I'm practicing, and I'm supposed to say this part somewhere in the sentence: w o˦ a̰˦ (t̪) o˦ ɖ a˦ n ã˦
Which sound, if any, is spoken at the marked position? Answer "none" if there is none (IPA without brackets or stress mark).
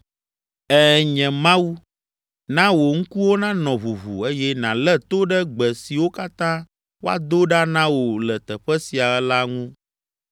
d̪